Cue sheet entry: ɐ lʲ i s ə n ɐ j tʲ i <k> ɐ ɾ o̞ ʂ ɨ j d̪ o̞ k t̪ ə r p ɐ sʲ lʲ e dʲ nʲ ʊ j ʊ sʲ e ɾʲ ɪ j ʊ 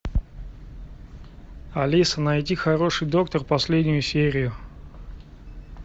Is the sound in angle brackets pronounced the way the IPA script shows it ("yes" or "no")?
no